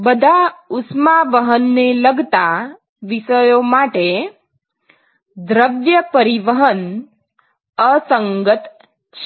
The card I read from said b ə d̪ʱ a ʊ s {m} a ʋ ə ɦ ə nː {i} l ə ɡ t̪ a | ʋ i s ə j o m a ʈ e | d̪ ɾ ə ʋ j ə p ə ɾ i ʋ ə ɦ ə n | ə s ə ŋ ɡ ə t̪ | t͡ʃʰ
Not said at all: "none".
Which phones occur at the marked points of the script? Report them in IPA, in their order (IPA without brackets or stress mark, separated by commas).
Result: m, e